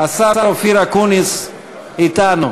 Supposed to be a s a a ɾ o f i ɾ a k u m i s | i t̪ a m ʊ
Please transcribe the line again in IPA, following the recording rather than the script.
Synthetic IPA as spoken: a s a a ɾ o f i ɾ a k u n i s | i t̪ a n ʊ